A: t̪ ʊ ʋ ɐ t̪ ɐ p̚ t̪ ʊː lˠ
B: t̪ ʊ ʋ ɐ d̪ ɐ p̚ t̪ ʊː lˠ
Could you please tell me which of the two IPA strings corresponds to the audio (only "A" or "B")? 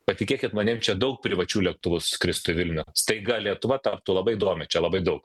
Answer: A